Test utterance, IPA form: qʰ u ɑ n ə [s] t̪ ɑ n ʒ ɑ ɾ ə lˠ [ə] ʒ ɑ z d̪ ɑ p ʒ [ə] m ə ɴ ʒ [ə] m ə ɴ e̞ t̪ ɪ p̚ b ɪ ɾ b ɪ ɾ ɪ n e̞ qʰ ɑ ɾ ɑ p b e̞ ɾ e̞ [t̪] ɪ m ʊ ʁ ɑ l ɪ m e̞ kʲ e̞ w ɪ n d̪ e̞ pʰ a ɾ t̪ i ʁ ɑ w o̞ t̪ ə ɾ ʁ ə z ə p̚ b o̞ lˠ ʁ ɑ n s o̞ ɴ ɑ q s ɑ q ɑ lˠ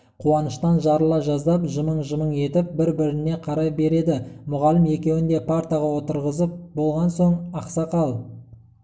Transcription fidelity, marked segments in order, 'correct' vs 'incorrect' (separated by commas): incorrect, incorrect, correct, correct, incorrect